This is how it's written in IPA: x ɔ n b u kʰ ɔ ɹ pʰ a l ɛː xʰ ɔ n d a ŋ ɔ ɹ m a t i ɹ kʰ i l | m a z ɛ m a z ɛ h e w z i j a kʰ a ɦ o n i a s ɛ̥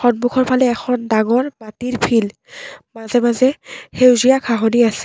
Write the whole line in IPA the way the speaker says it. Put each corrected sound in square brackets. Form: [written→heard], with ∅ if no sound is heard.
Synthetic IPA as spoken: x ɔ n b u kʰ ɔ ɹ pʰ a l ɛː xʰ ɔ n d a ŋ ɔ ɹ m a t i ɹ [kʰ→pʰ] i l | m a z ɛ m a z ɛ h e w z i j a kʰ a ɦ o n i a s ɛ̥